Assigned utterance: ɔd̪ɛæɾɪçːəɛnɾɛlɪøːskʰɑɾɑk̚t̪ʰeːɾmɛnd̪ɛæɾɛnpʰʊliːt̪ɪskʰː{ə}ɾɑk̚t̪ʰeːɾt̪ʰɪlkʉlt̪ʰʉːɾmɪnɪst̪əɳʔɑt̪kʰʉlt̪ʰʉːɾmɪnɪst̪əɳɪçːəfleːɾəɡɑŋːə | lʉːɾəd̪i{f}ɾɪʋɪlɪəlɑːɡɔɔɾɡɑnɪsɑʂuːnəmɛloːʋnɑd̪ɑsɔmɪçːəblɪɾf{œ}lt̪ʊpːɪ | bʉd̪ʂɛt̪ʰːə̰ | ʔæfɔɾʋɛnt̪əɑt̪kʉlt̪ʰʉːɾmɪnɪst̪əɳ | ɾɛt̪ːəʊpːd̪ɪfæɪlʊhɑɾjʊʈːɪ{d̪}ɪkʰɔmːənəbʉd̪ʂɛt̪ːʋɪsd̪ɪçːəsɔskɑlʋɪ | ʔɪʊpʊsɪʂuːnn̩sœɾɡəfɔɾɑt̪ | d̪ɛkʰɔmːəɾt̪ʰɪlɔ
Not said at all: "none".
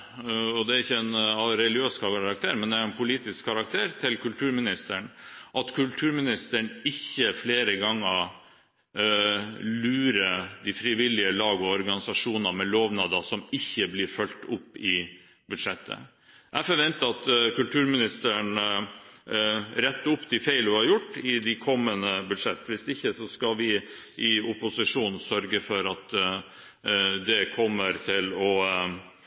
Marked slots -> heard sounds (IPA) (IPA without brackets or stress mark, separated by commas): ɑ, f, œ, d̪